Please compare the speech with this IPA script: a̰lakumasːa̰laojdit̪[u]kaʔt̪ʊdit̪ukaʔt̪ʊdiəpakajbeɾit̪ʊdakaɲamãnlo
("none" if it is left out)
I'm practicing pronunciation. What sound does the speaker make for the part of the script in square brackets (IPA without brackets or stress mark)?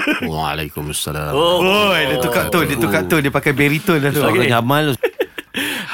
u